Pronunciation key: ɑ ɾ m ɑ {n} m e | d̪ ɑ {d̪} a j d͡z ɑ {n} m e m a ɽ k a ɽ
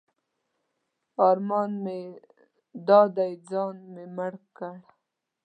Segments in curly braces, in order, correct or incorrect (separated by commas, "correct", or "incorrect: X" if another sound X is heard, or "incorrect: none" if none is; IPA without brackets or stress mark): correct, correct, correct